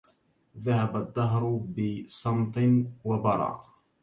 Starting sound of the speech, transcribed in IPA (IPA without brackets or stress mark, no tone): ð